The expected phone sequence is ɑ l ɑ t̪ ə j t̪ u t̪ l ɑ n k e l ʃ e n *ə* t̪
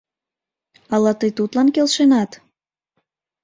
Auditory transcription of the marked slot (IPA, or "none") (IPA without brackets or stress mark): ɑ